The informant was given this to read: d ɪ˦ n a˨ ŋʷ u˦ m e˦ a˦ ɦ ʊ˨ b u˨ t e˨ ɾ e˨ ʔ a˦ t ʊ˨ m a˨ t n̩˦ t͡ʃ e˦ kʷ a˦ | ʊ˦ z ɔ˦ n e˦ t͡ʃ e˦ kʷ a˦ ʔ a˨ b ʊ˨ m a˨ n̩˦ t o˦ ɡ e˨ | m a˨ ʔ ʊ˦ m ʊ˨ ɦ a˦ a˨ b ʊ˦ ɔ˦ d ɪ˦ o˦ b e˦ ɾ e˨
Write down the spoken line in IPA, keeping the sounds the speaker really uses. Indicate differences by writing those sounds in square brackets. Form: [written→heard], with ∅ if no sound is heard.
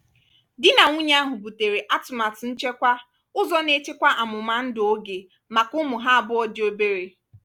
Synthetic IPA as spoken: d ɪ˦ n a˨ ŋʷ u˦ [m→ɲ] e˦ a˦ ɦ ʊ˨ b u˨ t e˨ ɾ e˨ ʔ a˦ t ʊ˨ m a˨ t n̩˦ t͡ʃ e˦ kʷ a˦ | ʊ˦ z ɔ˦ n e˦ t͡ʃ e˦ kʷ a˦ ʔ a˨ [b→m] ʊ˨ m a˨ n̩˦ [t→d] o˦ ɡ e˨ | m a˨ [ʔ→k] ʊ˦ m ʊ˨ ɦ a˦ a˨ b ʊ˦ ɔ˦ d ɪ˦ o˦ b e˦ ɾ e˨